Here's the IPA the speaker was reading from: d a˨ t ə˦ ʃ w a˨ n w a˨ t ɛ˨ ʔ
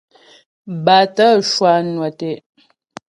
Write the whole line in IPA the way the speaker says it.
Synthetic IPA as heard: b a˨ t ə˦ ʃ w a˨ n w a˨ t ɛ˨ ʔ